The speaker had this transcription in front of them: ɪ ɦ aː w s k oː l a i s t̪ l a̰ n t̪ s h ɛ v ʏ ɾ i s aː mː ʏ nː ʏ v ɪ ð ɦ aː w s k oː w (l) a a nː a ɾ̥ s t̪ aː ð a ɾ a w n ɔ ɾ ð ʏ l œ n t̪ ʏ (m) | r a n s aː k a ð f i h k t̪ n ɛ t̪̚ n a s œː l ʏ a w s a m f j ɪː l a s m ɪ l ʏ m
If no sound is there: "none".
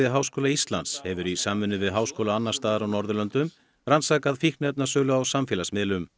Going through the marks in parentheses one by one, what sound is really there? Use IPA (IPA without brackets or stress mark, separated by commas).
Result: l, m